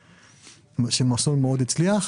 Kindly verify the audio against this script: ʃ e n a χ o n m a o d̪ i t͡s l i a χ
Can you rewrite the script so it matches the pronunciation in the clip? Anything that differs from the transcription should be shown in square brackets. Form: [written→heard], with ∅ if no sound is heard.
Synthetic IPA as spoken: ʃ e [n→m] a [χ→s] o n m [a→e] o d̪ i t͡s l i a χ